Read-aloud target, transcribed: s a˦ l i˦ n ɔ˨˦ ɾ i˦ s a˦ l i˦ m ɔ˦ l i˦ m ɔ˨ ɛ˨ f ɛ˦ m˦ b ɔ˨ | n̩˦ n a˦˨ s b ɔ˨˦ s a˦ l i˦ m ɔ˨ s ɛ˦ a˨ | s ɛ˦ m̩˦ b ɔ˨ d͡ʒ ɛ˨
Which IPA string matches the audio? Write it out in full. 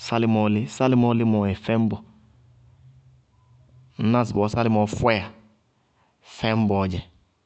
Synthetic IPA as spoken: s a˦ l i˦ m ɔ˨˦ l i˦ s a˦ l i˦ m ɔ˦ l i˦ m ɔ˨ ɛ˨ f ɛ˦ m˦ b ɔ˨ | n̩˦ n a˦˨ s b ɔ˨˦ s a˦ l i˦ m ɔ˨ f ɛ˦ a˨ | f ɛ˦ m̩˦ b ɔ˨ d͡ʒ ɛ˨